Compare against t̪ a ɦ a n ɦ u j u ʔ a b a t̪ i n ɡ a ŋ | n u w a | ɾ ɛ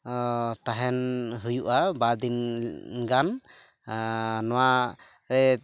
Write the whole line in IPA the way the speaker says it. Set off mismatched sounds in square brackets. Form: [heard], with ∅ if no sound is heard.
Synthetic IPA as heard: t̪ a ɦ [ɛ] n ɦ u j u ʔ a b a [d̪] i n ɡ a [n] | n [ɔ] w a | ɾ ɛ